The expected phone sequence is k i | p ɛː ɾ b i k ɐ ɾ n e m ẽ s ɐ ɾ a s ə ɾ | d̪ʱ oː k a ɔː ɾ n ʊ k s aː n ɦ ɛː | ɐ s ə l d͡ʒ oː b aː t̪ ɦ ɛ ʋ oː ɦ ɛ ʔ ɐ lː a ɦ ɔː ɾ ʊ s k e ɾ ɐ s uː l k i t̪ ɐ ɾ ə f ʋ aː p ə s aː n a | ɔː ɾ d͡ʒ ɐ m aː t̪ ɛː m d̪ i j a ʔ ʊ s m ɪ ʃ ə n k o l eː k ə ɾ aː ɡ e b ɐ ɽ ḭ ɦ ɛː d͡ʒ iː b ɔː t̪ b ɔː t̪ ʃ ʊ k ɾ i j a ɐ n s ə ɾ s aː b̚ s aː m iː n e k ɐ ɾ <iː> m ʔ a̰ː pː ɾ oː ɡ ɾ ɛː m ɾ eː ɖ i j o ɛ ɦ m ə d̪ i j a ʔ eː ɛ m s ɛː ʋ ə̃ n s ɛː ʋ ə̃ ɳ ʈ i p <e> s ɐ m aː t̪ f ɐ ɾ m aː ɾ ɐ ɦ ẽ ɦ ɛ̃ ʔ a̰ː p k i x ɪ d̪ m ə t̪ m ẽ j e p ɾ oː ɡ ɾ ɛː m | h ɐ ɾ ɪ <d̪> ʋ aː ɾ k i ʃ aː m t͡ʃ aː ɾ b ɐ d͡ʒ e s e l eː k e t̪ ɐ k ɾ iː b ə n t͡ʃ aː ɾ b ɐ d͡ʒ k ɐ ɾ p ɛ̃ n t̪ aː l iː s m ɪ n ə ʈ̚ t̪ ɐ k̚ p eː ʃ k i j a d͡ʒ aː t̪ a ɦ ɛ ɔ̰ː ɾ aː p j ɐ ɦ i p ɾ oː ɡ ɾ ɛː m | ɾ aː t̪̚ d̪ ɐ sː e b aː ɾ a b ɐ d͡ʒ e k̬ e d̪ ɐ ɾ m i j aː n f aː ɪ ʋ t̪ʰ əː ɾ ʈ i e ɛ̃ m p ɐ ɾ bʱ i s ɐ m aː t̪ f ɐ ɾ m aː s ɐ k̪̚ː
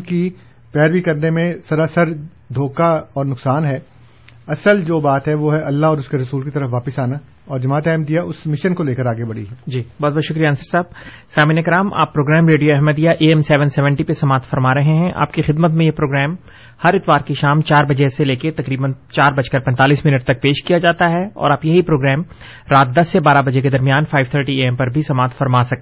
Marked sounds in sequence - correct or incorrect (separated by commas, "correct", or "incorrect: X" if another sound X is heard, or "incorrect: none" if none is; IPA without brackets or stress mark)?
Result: incorrect: aː, correct, incorrect: t̪